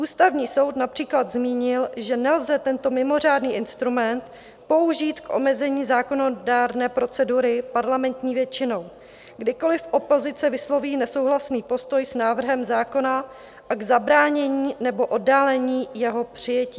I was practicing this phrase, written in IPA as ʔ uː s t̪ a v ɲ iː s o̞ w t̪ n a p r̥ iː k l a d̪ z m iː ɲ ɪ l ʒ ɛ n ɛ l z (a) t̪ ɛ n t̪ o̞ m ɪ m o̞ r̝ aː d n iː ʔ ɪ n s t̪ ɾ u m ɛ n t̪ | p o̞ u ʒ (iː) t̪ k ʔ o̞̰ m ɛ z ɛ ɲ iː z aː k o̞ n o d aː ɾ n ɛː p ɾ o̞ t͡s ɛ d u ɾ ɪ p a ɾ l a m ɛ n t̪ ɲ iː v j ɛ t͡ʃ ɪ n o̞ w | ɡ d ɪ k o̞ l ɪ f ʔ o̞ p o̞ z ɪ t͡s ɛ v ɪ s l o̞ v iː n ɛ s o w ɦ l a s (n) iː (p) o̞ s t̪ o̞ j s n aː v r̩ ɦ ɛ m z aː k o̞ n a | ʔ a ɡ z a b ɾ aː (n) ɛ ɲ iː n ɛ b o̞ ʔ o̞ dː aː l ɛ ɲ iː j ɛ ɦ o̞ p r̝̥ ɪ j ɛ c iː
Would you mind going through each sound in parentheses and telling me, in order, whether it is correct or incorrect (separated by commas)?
incorrect, correct, correct, correct, incorrect